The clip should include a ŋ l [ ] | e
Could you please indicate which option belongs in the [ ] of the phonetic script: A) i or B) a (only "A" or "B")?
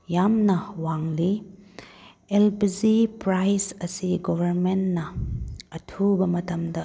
A